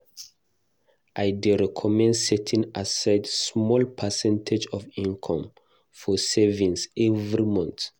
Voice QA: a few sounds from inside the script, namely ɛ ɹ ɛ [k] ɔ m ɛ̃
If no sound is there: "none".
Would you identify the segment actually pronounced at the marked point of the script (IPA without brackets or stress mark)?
kʰ